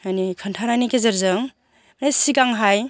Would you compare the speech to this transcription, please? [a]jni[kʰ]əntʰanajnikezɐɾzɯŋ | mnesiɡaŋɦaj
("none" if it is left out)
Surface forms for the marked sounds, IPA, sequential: a, kʰ

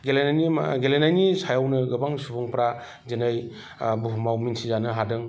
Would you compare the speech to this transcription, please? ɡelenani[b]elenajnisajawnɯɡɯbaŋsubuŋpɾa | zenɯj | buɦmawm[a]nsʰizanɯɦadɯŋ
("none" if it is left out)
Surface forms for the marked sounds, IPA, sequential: ɡ, i

